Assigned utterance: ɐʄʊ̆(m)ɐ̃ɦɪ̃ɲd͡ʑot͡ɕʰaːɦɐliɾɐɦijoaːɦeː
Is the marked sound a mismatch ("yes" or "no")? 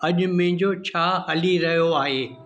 no